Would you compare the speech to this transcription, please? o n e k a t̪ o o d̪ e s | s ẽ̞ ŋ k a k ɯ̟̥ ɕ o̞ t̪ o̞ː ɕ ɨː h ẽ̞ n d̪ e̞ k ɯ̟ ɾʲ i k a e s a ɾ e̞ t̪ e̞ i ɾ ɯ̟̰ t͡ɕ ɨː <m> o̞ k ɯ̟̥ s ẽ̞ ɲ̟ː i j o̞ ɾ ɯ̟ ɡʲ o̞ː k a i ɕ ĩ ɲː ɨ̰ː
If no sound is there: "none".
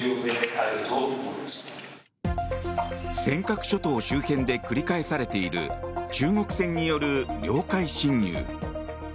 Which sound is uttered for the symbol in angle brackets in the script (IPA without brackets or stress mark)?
ŋ